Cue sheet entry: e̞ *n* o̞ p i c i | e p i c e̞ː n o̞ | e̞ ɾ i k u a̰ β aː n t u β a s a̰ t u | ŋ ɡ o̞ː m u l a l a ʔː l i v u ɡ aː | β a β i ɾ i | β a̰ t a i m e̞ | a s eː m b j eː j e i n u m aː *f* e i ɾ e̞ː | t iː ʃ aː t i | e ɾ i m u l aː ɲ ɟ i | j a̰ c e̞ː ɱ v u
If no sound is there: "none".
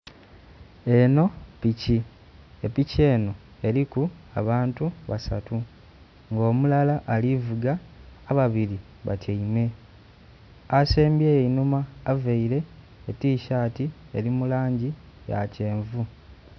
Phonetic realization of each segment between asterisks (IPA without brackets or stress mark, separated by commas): n, v